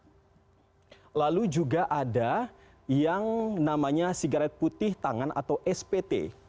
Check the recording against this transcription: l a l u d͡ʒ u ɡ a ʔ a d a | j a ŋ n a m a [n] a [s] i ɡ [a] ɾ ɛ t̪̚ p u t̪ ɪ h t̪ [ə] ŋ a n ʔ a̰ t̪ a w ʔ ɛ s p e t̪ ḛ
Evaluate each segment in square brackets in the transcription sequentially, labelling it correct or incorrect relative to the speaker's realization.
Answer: incorrect: ɲ, correct, correct, incorrect: a

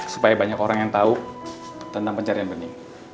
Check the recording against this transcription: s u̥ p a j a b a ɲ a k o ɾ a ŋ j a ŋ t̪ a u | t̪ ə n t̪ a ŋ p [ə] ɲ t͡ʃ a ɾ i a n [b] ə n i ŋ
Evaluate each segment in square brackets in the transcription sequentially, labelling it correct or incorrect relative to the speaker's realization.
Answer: correct, correct

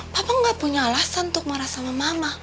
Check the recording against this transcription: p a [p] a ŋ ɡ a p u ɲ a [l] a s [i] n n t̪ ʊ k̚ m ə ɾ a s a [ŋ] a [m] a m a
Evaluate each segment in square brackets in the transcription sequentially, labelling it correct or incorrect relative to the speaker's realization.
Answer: correct, correct, incorrect: a, incorrect: m, correct

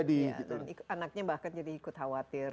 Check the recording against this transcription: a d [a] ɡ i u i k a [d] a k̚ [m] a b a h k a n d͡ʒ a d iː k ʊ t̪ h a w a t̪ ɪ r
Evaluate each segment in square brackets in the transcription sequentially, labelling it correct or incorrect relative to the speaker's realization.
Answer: incorrect: i, incorrect: n, incorrect: ɲ

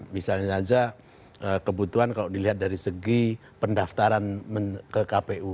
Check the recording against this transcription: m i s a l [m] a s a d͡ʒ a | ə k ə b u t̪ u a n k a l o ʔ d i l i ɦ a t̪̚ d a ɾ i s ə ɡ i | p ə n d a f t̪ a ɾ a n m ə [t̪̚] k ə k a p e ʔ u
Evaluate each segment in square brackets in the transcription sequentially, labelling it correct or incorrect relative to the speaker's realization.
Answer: incorrect: ɲ, incorrect: none

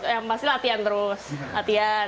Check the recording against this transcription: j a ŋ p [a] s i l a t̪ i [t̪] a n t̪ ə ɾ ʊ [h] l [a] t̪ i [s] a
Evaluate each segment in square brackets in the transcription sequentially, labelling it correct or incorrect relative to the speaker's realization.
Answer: correct, incorrect: none, incorrect: s, correct, incorrect: none

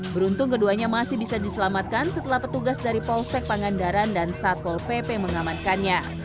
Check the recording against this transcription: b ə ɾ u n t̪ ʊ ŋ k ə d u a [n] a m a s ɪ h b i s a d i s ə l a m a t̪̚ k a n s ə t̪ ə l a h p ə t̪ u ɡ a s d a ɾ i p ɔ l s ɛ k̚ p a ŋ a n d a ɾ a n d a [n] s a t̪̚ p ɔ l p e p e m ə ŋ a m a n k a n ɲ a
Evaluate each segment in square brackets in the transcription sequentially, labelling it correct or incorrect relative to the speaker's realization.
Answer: incorrect: ɲ, correct

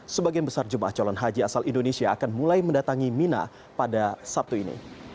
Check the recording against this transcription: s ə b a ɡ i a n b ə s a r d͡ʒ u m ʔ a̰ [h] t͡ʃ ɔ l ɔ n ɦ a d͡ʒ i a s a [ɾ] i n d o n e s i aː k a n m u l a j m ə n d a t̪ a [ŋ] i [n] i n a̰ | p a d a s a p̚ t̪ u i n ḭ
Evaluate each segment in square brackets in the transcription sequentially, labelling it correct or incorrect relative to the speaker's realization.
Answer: correct, incorrect: l, correct, incorrect: m

